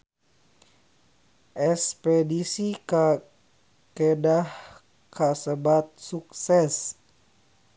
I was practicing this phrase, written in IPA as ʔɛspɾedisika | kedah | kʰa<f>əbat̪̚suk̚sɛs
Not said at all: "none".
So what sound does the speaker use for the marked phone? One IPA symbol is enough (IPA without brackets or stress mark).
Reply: s